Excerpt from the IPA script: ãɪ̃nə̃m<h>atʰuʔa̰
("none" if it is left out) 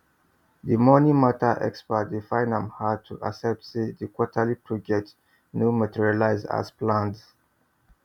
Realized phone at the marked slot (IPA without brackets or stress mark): h